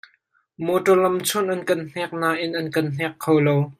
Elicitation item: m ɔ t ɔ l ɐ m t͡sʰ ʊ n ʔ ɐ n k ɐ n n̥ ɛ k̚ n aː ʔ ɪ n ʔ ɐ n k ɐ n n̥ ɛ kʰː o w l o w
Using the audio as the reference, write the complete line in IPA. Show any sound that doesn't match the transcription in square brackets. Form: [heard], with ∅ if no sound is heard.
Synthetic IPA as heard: m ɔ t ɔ l ɐ m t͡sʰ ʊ n ʔ ɐ n k ɐ n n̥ ɛ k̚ n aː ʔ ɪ n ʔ ɐ n k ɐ n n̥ ɛ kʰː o w l o w